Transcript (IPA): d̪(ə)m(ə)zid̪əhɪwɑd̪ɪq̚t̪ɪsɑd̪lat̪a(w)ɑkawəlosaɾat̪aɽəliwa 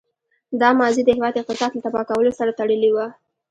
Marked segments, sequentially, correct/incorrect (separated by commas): incorrect, incorrect, incorrect